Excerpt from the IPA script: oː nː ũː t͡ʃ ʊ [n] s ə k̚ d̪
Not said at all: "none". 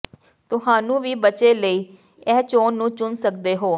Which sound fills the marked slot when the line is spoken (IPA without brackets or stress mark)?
n